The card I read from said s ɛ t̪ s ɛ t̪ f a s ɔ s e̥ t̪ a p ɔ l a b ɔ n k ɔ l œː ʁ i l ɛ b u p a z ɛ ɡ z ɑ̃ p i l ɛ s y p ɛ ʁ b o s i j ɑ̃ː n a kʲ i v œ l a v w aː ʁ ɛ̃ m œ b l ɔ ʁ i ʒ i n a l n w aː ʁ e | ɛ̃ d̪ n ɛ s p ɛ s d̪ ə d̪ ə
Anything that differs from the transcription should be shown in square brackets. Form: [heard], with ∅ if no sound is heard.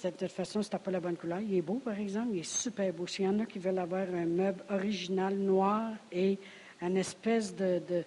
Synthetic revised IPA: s ɛ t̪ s ɛ t̪ f a s [ɔ̃] s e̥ t̪ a p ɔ l a b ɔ n k [u] l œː ʁ i l ɛ b [o] p a [ʁ] ɛ ɡ z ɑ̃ p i l ɛ s y p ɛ ʁ b o s i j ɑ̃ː n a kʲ i v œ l a v w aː ʁ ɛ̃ m œ b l ɔ ʁ i ʒ i n a l n w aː ʁ e | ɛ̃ [∅] n ɛ s p ɛ s d̪ ə d̪ ə